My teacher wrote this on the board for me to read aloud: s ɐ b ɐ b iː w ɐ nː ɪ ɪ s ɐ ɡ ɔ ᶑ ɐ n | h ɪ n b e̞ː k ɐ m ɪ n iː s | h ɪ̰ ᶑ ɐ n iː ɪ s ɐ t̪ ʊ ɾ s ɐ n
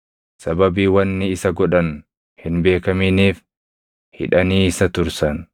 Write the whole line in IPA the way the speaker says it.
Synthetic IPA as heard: s ɐ b ɐ b iː w ɐ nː ɪ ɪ s ɐ ɡ ɔ ᶑ ɐ n | h ɪ n b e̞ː k ɐ m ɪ n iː f | h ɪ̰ ᶑ ɐ n iː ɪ s ɐ t̪ ʊ ɾ s ɐ n

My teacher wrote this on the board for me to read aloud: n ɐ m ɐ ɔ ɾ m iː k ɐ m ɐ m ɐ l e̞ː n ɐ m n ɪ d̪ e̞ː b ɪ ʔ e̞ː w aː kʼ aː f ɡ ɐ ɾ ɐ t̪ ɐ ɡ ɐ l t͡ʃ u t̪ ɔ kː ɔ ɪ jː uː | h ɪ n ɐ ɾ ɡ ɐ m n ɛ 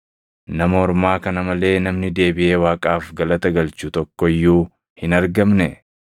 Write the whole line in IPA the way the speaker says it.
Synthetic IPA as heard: n ɐ m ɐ ɔ ɾ m aː k ɐ n ɐ m ɐ l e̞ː n ɐ m n ɪ d̪ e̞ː b ɪ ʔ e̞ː w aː kʼ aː f ɡ ɐ l ɐ t̪ ɐ ɡ ɐ l t͡ʃ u t̪ ɔ kː ɔ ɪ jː uː | h ɪ n ɐ ɾ ɡ ɐ m n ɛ

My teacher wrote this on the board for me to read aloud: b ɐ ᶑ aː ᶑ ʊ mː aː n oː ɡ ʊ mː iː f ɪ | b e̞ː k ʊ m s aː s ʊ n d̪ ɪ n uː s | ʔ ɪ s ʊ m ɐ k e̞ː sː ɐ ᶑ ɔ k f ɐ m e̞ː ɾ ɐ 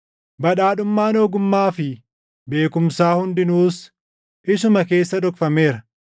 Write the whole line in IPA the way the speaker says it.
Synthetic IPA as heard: b ɐ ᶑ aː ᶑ ʊ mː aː n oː ɡ ʊ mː aː f ɪ | b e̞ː k ʊ m s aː h ʊ n d̪ ɪ n uː s | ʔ ɪ s ʊ m ɐ k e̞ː sː ɐ ᶑ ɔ k f ɐ m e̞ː ɾ ɐ

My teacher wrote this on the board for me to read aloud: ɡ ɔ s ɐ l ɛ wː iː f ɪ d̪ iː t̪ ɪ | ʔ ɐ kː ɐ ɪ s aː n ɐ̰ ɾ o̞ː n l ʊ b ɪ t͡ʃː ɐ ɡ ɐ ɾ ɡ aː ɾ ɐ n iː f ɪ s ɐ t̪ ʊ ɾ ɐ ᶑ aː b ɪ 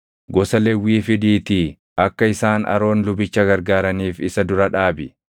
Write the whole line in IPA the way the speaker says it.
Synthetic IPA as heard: ɡ ɔ s ɐ l ɛ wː iː f ɪ d̪ iː t̪ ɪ | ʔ ɐ kː ɐ ɪ s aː n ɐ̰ ɾ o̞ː n l ʊ b ɪ t͡ʃː ɐ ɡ ɐ ɾ ɡ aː ɾ ɐ n iː f ɪ s ɐ d̪ ʊ ɾ ɐ ᶑ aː b ɪ

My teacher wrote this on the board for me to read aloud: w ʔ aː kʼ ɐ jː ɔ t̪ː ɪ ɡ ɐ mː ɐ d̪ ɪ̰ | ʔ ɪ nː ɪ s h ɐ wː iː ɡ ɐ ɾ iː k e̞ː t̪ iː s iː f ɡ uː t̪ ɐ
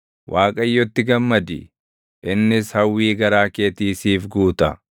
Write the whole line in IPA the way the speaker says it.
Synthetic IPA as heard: w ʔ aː kʼ ɐ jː ɔ t̪ː ɪ ɡ ɐ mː ɐ d̪ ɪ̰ | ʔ ɪ nː ɪ s h ɐ wː iː ɡ ɐ ɾ aː k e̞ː t̪ iː s iː f ɡ uː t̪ ɐ

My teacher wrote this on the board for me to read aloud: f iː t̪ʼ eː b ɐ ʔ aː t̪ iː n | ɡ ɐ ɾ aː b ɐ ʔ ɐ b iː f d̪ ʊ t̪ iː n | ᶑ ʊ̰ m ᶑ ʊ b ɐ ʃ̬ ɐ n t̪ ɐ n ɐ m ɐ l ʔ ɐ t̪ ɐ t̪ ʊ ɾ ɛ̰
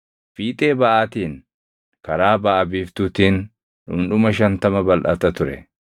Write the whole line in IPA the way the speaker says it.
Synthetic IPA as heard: f iː t̪ʼ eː b ɐ ʔ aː t̪ iː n | k ɐ ɾ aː b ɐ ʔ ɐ b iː f t̪ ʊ t̪ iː n | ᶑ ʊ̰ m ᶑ ʊ m ɐ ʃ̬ ɐ n t̪ ɐ m ɐ b ɐ l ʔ ɐ t̪ ɐ t̪ ʊ ɾ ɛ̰

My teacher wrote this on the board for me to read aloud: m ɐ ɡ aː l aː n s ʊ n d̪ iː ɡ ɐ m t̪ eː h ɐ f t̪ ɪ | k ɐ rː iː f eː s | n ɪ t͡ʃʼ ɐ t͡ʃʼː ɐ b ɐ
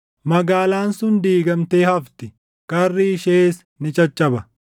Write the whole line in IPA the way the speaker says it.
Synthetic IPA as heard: m ɐ ɡ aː l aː n s ʊ n d̪ iː ɡ ɐ m t̪ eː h ɐ f t̪ ɪ | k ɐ rː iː ʃ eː s | n ɪ t͡ʃʼ ɐ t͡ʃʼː ɐ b ɐ

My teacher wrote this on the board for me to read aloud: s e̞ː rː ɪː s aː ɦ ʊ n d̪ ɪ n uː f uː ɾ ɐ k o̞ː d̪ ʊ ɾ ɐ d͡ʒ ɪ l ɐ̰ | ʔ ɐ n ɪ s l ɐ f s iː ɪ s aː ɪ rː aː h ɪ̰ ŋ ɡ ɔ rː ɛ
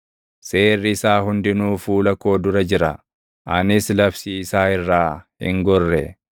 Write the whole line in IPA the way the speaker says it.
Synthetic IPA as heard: s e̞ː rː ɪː s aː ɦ ʊ n d̪ ɪ n uː f uː l ɐ k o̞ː d̪ ʊ ɾ ɐ d͡ʒ ɪ ɾ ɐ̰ | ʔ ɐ n ɪ s l ɐ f s iː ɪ s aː ɪ rː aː h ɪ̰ ŋ ɡ ɔ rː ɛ

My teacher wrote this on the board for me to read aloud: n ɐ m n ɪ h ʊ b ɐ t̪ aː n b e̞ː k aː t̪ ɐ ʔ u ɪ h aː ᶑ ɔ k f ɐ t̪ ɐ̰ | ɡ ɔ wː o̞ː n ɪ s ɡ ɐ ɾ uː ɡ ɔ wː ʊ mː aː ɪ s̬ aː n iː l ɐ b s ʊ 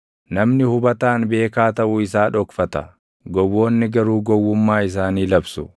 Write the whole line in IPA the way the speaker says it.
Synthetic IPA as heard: n ɐ m n ɪ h ʊ b ɐ t̪ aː n b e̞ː k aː t̪ ɐ ʔ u ɪ s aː ᶑ ɔ k f ɐ t̪ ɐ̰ | ɡ ɔ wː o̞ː nː ɪ ɡ ɐ ɾ uː ɡ ɔ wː ʊ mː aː ɪ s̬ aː n iː l ɐ b s ʊ

